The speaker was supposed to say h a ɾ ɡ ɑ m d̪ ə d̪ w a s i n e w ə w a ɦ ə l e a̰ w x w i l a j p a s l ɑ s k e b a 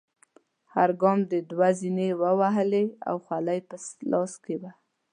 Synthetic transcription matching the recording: h a ɾ ɡ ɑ m d̪ ə d̪ w a z i n e w ə w a ɦ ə l e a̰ w x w a l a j p ə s l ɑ s k e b a